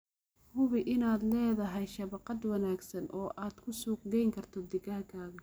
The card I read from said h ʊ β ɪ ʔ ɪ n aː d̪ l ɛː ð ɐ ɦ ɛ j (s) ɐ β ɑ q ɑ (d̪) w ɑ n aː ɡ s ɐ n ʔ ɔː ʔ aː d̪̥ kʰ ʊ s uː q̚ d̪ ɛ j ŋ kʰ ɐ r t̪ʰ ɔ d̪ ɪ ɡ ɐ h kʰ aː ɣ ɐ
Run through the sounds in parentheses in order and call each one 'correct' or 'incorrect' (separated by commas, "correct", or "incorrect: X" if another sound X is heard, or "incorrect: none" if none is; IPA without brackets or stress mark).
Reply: incorrect: ʃ, correct